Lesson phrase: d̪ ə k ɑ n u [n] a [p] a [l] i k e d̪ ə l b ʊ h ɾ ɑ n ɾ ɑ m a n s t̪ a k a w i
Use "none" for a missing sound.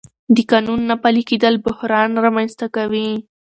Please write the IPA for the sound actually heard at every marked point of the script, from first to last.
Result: nː, p, l

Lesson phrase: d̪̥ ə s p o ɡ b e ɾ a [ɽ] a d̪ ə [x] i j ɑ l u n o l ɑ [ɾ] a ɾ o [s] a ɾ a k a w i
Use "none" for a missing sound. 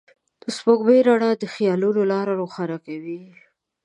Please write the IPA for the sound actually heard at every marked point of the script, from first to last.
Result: ɽ, x, ɾ, x

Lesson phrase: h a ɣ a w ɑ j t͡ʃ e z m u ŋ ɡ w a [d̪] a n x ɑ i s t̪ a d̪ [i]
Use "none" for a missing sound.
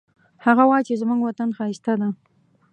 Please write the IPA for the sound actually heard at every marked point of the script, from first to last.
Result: t̪, a

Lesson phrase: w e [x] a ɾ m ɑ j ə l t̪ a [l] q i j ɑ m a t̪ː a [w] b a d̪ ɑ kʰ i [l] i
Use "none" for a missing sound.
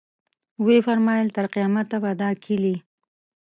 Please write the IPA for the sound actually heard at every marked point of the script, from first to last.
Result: f, ɾ, none, l

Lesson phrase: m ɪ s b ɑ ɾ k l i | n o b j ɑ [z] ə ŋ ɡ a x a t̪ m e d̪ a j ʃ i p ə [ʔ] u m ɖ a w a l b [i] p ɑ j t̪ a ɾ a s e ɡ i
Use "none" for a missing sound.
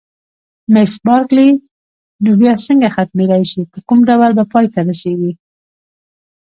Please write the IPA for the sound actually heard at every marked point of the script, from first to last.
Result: s, k, a

